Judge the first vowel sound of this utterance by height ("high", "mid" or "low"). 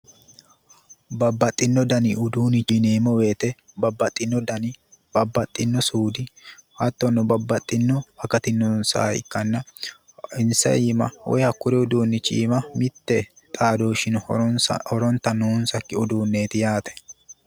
low